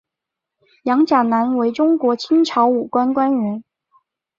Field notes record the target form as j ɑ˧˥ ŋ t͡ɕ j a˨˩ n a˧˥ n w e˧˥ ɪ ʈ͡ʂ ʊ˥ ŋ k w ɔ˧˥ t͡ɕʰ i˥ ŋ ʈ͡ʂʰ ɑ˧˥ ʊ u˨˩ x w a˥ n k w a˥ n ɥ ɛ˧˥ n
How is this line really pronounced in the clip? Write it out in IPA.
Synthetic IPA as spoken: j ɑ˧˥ ŋ t͡ɕ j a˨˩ n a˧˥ n w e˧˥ ɪ ʈ͡ʂ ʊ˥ ŋ k w ɔ˧˥ t͡ɕʰ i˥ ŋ ʈ͡ʂʰ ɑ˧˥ ʊ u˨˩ k w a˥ n k w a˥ n ɥ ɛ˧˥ n

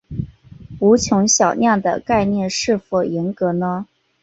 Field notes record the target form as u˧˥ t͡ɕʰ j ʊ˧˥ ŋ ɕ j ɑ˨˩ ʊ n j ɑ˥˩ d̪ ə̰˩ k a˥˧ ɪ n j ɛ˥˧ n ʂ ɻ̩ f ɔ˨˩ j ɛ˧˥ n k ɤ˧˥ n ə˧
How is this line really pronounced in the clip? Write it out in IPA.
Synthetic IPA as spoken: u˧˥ t͡ɕʰ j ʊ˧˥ ŋ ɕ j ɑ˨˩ ʊ n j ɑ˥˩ d̪ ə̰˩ k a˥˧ ɪ n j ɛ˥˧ n ʂ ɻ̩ f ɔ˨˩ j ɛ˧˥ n k ɤ˧˥ n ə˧

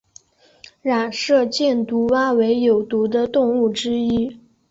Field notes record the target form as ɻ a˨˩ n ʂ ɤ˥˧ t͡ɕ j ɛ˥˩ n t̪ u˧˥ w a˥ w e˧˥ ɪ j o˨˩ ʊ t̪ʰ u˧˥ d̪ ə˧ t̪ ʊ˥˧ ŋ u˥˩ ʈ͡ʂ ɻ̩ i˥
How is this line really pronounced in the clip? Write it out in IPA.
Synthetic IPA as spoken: ɻ a˨˩ n ʂ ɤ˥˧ t͡ɕ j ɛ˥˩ n t̪ u˧˥ w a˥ w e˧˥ ɪ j o˨˩ ʊ t̪ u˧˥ d̪ ə˧ t̪ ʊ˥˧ ŋ u˥˩ ʈ͡ʂ ɻ̩ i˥

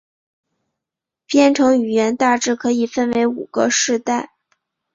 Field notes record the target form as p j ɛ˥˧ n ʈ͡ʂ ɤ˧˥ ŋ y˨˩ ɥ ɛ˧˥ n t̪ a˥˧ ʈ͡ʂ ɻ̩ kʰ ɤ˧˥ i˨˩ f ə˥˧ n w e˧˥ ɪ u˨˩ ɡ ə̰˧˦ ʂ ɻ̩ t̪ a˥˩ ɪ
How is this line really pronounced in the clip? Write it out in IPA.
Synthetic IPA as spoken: p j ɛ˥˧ n ʈ͡ʂʰ ɤ˧˥ ŋ y˨˩ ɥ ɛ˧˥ n t̪ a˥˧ ʈ͡ʂ ɻ̩ kʰ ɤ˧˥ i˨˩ f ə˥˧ n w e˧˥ ɪ u˨˩ ɡ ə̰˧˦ ʂ ɻ̩ t̪ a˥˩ ɪ

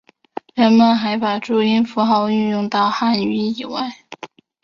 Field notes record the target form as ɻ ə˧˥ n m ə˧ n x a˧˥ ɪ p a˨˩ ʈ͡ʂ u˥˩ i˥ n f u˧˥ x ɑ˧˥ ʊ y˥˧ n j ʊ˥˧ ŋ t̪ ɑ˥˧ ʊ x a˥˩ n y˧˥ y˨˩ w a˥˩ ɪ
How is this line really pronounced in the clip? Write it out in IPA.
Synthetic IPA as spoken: ɻ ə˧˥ n m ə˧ n x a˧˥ ɪ p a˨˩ ʈ͡ʂ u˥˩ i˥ n f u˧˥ x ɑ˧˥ ʊ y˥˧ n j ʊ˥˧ ŋ t̪ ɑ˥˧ ʊ x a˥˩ n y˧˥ i˨˩ w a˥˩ ɪ

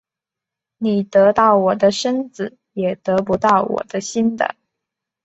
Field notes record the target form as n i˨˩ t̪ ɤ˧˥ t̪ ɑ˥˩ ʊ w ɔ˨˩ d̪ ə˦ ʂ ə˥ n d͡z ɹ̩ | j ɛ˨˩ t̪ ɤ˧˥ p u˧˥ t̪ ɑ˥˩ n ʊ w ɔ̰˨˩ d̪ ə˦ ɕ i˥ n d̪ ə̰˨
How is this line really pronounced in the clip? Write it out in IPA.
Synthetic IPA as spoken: n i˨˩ t̪ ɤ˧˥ t̪ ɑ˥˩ ʊ w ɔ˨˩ d̪ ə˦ ʂ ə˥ n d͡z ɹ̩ | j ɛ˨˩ t̪ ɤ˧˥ p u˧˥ t̪ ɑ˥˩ ʊ w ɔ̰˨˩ d̪ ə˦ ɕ i˥ n d̪ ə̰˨

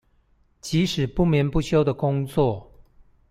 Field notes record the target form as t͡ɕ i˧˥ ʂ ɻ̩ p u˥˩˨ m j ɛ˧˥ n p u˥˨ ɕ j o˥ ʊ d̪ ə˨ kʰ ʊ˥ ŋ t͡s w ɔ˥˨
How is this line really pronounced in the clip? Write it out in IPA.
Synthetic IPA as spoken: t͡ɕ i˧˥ ʂ ɻ̩ p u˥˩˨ m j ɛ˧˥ n p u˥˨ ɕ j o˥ ʊ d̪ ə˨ k ʊ˥ ŋ t͡s w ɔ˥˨

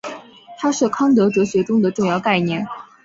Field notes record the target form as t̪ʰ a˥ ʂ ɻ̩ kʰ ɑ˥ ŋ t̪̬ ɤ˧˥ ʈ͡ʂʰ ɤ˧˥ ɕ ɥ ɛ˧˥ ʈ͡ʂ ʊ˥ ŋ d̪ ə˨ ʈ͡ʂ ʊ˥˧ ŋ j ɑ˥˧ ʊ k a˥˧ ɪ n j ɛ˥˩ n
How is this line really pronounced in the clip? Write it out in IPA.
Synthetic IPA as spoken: t̪ʰ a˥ ʂ ɻ̩ kʰ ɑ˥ ŋ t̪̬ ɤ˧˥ ʈ͡ʂ ɤ˧˥ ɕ ɥ ɛ˧˥ ʈ͡ʂ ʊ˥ ŋ d̪ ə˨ ʈ͡ʂ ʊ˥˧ ŋ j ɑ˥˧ ʊ k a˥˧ ɪ n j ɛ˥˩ n

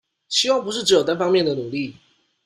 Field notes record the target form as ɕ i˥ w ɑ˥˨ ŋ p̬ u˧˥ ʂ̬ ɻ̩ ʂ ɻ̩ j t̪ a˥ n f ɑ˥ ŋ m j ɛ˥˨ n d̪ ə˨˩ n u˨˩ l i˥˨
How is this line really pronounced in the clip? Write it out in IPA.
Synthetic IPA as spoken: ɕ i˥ w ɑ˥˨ ŋ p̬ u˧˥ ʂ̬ ɻ̩ ʈ͡ʂ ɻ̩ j t̪ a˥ n f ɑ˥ ŋ m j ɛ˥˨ n d̪ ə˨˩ n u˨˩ l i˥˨

